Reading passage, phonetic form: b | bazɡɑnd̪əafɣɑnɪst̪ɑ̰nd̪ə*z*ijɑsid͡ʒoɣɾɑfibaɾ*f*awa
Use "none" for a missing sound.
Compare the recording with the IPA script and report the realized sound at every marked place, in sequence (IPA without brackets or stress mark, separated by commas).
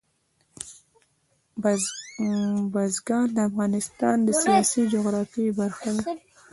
s, x